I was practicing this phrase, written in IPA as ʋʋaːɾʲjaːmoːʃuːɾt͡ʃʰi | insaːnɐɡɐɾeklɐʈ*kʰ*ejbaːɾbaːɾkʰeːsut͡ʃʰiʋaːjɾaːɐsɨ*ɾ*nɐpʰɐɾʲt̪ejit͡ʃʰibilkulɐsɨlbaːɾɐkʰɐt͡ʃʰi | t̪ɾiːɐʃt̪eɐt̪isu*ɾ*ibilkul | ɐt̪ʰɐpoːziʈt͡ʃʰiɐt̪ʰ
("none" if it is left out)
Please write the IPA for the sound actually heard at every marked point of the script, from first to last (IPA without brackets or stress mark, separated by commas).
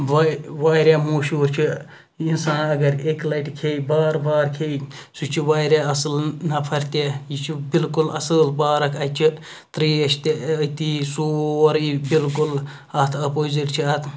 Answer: kʰ, l, ɾ